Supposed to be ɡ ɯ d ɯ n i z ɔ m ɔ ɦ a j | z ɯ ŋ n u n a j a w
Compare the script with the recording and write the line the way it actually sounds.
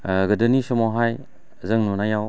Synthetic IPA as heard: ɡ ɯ d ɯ n i s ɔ m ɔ ɦ a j | z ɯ ŋ n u n a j a w